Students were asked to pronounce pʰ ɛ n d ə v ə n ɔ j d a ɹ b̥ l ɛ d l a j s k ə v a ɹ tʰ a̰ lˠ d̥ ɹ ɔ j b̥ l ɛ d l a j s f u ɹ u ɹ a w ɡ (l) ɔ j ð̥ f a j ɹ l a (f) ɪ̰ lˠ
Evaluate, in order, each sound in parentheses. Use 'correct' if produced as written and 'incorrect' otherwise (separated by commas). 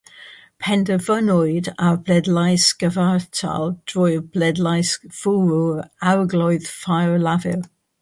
correct, incorrect